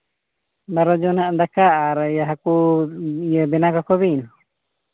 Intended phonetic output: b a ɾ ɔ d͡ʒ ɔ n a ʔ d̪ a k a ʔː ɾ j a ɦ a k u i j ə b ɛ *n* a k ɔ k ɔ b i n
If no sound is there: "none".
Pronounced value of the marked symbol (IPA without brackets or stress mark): n